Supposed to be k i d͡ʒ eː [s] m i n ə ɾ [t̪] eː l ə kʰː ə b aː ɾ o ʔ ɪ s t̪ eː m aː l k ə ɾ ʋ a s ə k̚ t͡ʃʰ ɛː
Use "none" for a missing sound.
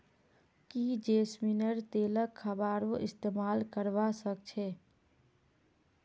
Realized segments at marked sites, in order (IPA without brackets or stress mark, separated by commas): s, t̪